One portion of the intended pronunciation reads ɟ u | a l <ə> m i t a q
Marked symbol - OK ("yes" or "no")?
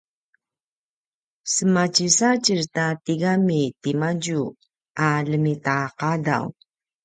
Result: yes